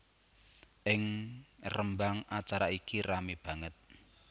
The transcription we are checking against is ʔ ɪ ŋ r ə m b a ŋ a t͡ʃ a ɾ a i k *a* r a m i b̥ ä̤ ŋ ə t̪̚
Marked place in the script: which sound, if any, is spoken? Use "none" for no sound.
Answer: i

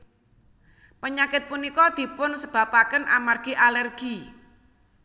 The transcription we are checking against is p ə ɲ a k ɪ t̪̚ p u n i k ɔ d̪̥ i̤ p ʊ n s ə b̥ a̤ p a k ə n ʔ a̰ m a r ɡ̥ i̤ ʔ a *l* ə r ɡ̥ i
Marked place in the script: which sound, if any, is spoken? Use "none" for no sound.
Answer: l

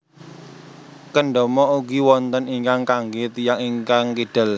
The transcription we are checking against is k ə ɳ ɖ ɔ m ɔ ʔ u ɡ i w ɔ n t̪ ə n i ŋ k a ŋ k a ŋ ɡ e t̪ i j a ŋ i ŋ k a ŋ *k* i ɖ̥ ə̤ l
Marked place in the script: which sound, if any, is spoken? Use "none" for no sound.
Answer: k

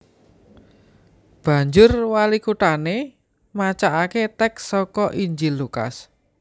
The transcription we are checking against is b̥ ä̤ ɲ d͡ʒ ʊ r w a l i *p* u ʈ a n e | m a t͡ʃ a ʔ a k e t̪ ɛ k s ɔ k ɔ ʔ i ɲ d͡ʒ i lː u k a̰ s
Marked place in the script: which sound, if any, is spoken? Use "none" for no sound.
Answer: k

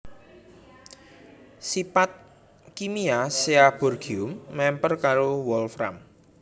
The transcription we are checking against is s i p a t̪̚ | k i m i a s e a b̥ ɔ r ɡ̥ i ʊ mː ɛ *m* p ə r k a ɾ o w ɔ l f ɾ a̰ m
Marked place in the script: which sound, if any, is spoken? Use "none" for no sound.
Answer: m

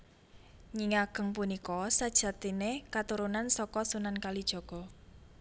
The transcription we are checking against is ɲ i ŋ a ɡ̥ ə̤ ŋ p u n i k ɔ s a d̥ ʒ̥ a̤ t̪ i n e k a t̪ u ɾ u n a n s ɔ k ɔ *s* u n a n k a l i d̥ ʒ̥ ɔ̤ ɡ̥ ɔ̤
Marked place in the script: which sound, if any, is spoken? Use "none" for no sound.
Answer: s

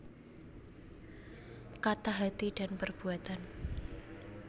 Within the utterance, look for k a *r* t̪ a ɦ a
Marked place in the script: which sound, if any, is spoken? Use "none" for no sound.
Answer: none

